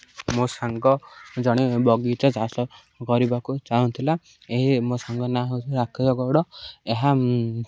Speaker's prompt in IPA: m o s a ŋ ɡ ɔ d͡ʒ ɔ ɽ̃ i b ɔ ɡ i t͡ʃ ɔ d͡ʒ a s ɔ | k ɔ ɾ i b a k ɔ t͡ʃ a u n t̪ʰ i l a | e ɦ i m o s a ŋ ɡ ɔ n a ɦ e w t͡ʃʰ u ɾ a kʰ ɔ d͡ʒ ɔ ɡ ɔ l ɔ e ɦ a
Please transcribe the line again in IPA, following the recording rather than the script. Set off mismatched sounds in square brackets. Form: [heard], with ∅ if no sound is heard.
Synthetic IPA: m o s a ŋ ɡ ɔ d͡ʒ ɔ ɽ̃ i b ɔ ɡ i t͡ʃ ɔ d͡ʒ a s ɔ | k ɔ ɾ i b a k [u] t͡ʃ a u n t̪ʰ i l a | e ɦ i m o s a ŋ ɡ ɔ n a ɦ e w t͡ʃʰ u ɾ a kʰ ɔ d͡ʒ ɔ ɡ ɔ [ɽ] ɔ e ɦ a